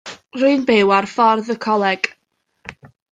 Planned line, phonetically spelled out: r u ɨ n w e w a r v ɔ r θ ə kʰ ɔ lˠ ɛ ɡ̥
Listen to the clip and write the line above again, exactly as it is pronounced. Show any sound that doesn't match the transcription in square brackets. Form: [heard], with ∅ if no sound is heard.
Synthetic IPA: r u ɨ n [b] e w a r [f] ɔ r [ð] ə kʰ ɔ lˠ ɛ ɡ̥